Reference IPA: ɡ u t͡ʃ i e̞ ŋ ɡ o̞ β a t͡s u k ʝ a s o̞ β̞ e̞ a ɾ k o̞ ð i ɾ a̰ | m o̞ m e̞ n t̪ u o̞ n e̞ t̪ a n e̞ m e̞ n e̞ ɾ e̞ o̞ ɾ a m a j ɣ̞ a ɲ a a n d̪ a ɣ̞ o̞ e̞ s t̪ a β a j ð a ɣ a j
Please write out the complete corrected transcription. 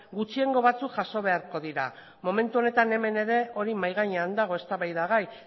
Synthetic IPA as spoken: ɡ u t͡ʃ i e̞ ŋ ɡ o̞ β a t͡s u k ʝ a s o̞ β̞ e̞ a ɾ k o̞ ð i ɾ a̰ | m o̞ m e̞ n t̪ u o̞ n e̞ t̪ a n e̞ m e̞ n e̞ ɾ e̞ o̞ ɾ i m a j ɣ̞ a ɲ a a n d̪ a ɣ̞ o̞ e̞ s t̪ a β a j ð a ɣ a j

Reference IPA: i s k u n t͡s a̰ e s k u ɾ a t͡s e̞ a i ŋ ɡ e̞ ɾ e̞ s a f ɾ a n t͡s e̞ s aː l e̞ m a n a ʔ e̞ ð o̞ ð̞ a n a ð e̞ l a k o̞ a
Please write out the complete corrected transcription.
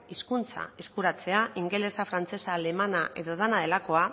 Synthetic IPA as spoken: i s k u n t͡s a̰ e s k u ɾ a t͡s e̞ a i ŋ ɡ e̞ l e̞ s a f ɾ a n t͡s e̞ s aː l e̞ m a n a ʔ e̞ ð o̞ ð̞ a n a ð e̞ l a k o̞ a

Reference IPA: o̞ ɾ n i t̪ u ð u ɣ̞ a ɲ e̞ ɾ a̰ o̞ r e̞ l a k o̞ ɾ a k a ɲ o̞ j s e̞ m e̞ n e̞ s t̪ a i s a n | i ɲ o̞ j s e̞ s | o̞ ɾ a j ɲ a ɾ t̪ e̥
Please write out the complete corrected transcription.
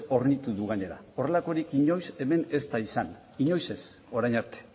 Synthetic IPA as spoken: o̞ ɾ n i t̪ u ð u ɣ̞ a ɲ e̞ ɾ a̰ o̞ r e̞ l a k o̞ ɾ i k i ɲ o̞ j s e̞ m e̞ n e̞ s t̪ a i s a n | i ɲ o̞ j s e̞ s | o̞ ɾ a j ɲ a ɾ t̪ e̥

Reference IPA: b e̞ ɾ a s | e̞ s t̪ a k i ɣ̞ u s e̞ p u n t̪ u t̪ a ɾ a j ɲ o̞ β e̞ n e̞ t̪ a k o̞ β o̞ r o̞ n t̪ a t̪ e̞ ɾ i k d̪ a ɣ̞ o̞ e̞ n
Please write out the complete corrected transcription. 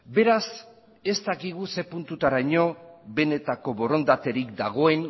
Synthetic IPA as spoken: b e̞ ɾ a s | e̞ s t̪ a k i ɣ̞ u s e̞ p u n t̪ u t̪ a ɾ a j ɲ o̞ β e̞ n e̞ t̪ a k o̞ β o̞ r o̞ n d̪ a t̪ e̞ ɾ i k d̪ a ɣ̞ o̞ e̞ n

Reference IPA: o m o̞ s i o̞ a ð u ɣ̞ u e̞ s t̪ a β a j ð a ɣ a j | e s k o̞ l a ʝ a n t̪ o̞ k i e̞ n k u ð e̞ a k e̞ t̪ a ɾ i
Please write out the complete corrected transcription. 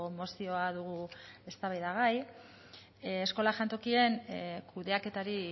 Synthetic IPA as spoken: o m o̞ s i o̞ a ð u ɣ̞ u e̞ s t̪ a β a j ð a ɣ a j | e s k o̞ l a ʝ a n t̪ o̞ k i e̞ n k u ð e̞ a k e̞ t̪ a ɾ i

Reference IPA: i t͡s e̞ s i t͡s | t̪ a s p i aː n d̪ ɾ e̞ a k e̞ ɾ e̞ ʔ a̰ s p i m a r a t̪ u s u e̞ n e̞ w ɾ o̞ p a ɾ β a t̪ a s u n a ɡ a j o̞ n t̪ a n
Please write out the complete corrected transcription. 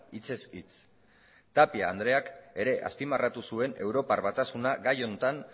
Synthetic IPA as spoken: i t͡s e̞ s i t͡s | t̪ a p i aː n d̪ ɾ e̞ a k e̞ ɾ e̞ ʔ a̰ s p i m a r a t̪ u s u e̞ n e̞ w ɾ o̞ p a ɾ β a t̪ a s u n a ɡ a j o̞ n t̪ a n

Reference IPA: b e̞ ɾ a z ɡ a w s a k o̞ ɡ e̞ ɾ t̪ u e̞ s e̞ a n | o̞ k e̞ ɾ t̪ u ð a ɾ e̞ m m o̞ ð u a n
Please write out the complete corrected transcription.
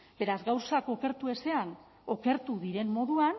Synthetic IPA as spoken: b e̞ ɾ a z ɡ a w s a k o̞ k e̞ ɾ t̪ u e̞ s e̞ a n | o̞ k e̞ ɾ t̪ u ð i ɾ e̞ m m o̞ ð u a n

